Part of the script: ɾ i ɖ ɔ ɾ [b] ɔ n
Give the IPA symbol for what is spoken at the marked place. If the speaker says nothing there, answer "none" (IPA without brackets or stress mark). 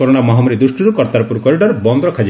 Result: b